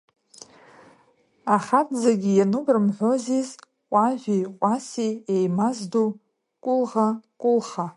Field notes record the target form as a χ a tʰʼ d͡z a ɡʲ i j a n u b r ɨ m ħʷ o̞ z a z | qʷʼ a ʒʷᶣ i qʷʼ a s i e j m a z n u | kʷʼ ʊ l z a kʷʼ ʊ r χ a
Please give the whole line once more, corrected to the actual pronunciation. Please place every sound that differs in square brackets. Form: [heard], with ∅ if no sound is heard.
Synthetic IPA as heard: a χ a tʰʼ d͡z a ɡʲ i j a n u b r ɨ m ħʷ o̞ z [i] z | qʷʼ a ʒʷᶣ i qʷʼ a s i e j m a z [d] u | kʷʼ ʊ l [ʁ] a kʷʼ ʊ [l] χ a